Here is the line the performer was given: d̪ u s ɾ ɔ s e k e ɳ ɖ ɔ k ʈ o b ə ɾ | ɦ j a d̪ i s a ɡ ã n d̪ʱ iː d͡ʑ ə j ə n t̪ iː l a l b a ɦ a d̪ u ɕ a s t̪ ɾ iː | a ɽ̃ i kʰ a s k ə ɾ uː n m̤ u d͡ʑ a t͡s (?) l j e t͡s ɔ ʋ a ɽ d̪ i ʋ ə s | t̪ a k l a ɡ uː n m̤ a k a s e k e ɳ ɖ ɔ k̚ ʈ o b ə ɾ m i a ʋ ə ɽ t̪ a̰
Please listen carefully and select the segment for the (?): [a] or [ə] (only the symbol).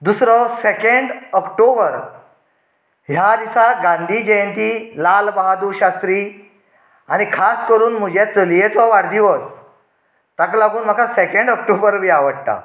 ə